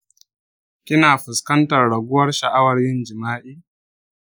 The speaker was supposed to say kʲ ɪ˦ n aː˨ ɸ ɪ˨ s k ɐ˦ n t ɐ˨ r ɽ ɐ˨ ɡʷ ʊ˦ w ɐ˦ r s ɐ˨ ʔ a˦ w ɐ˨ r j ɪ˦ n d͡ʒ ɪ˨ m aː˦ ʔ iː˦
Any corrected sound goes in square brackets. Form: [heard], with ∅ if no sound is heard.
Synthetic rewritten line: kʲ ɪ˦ n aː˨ ɸ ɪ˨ s k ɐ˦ n t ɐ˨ r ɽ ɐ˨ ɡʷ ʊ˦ w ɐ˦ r [ʃ] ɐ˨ ʔ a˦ w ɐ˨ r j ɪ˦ n d͡ʒ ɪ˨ m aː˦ ʔ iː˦